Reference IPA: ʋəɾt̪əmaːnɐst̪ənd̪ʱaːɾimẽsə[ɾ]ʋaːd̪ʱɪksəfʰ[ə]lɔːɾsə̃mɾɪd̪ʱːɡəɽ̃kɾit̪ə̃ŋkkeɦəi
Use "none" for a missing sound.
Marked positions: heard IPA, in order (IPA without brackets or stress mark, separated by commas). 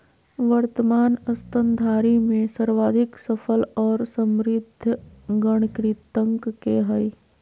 ɾ, ə